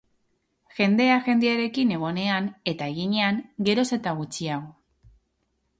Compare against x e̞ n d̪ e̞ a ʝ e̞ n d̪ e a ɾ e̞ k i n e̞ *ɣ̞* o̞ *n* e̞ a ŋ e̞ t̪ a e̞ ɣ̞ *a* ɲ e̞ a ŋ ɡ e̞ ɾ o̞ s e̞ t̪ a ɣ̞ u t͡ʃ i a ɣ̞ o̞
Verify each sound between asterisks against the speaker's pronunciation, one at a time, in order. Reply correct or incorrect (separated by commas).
correct, correct, incorrect